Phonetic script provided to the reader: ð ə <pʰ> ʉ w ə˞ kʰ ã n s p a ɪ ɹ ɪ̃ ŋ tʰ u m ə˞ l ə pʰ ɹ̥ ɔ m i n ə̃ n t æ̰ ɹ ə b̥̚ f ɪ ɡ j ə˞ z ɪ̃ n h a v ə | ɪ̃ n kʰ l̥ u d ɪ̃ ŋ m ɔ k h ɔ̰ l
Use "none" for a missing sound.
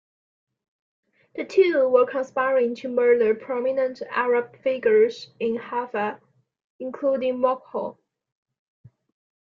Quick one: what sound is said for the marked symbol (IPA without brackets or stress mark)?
tʰ